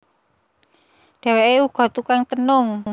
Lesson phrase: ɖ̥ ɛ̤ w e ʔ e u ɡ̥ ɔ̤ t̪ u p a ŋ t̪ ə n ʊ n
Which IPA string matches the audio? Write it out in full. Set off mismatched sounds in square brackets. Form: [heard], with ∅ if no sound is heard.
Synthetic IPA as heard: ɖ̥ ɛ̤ w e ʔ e u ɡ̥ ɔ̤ t̪ u [k] a ŋ t̪ ə n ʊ [ŋ]